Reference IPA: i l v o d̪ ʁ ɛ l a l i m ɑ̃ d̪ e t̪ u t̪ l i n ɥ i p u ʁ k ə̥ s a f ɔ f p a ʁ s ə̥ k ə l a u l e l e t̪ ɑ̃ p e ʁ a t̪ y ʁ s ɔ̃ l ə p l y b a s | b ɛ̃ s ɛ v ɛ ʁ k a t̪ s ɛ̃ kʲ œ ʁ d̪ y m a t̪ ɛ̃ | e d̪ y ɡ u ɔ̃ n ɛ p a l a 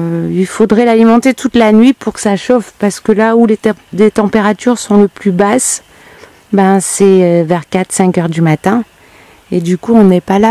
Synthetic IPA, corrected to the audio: i l f o d̪ ʁ ɛ l a l i m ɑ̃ t̪ e t̪ u t̪ l a n ɥ i p u ʁ k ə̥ s a ʃ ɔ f p a ʁ s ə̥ k ə l a u l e l e t̪ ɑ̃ p e ʁ a t̪ y ʁ s ɔ̃ l ə p l y b a s | b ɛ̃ s ɛ v ɛ ʁ k a t̪ s ɛ̃ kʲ œ ʁ d̪ y m a t̪ ɛ̃ | e d̪ y k u ɔ̃ n ɛ p a l a